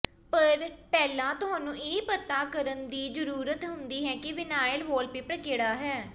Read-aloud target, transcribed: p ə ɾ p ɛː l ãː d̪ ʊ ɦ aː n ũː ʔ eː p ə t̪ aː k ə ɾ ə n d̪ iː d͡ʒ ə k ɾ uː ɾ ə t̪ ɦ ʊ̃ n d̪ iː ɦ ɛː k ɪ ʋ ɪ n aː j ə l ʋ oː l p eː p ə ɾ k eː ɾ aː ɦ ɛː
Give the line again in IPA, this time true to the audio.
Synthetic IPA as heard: p ə ɾ p ɛː l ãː t̪ ʊ ɦ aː n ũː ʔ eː p ə t̪ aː k ə ɾ ə n d̪ iː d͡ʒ ə ɾ uː ɾ ə t̪ ɦ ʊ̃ n d̪ iː ɦ ɛː k ɪ ʋ ɪ n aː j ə l ʋ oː l p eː p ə ɾ k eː ɽ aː ɦ ɛː